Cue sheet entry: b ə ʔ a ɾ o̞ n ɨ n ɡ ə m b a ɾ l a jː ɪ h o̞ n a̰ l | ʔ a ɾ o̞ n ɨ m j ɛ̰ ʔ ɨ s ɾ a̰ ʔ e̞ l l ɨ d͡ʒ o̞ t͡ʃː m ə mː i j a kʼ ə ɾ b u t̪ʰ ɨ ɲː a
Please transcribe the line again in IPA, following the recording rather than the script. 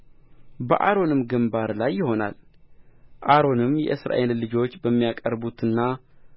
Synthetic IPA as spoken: b ə ʔ a ɾ o̞ n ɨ m ɡ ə m b a ɾ l a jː ɪ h o̞ n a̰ l | ʔ a ɾ o̞ n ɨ m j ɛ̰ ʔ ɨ s ɾ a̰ ʔ e̞ l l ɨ d͡ʒ o̞ t͡ʃː b ə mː i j a kʼ ə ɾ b u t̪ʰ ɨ nː a

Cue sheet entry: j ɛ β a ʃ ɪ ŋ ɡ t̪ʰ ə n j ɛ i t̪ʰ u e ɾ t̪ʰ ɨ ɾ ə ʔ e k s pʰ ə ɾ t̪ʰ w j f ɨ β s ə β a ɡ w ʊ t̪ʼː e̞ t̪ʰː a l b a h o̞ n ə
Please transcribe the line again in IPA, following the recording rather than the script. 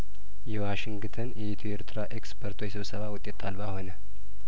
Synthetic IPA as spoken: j ɛ w a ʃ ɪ ŋ ɡ t̪ʰ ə n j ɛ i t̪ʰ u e ɾ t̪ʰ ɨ ɾ a ʔ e k s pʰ ə ɾ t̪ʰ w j s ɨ β s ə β a w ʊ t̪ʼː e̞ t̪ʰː a l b a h o̞ n ə

